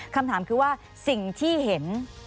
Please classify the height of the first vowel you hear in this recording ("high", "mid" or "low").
low